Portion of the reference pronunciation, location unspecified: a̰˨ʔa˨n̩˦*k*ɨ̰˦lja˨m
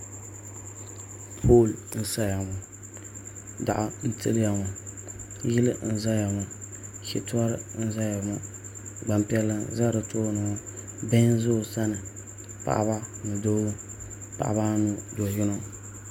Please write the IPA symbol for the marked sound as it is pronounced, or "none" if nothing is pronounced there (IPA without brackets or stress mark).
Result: t